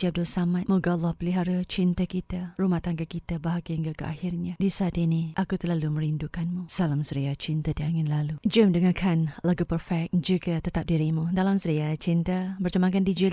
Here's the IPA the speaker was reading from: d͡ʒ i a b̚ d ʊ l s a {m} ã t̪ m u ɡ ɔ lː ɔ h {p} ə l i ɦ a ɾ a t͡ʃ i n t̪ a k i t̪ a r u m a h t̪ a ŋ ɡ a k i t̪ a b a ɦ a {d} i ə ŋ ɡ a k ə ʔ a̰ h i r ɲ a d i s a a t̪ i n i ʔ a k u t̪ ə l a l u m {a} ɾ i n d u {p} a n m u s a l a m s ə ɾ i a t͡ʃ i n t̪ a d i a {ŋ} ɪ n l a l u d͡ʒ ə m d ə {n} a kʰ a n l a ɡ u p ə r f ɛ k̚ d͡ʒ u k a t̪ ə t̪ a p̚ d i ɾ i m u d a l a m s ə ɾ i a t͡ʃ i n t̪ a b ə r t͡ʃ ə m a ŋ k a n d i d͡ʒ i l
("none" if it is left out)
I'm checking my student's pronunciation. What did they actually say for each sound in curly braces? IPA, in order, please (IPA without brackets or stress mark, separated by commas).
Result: m, p, ɡ, ə, k, ŋ, ŋ